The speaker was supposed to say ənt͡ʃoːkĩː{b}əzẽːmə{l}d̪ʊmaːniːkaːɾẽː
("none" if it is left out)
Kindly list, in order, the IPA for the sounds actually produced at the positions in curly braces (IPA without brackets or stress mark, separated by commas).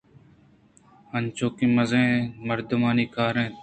m, ɾ